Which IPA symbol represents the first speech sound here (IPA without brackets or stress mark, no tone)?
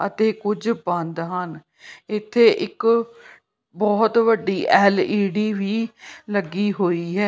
ə